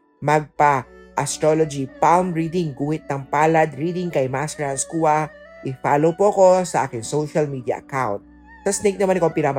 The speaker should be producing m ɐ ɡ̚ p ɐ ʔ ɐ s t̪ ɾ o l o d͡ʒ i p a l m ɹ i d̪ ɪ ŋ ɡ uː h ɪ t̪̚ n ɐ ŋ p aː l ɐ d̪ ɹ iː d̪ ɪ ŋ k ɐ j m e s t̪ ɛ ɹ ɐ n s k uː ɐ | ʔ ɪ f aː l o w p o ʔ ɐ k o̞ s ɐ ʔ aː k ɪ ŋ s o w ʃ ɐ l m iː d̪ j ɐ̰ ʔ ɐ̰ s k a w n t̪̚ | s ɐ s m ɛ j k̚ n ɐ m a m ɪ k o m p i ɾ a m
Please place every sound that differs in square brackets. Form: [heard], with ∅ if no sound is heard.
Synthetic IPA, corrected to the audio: m ɐ ɡ̚ p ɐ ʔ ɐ s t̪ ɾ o l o d͡ʒ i p a l m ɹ i d̪ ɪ ŋ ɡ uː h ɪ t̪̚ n ɐ ŋ p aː l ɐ d̪ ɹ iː d̪ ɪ ŋ k ɐ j m [a] s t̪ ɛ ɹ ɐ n s k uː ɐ | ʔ ɪ f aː l o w p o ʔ ɐ k o̞ s ɐ ʔ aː k ɪ ŋ s o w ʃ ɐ l m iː d̪ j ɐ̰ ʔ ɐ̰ [∅] k a w n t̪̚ | s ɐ s [n] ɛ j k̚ n ɐ m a [n] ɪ k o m p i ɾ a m